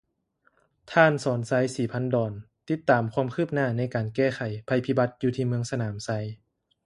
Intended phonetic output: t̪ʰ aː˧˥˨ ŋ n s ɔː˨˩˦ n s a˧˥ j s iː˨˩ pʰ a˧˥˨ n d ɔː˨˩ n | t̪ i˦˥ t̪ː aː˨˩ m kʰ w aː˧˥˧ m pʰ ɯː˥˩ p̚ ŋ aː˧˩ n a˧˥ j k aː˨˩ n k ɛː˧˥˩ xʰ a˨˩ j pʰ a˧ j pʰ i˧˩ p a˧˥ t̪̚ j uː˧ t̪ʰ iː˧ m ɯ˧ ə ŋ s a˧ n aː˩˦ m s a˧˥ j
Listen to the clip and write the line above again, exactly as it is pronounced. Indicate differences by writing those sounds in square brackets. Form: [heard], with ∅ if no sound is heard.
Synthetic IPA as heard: t̪ʰ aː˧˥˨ [∅] n s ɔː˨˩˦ n s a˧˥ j s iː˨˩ pʰ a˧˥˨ n d ɔː˨˩ n | t̪ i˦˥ t̪ː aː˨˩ m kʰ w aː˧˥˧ m [kʰ] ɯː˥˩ p̚ [n] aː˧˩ n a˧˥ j k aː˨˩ n k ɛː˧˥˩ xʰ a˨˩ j pʰ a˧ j pʰ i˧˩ [b] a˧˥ t̪̚ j uː˧ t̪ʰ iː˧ m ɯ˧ ə ŋ s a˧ n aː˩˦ m s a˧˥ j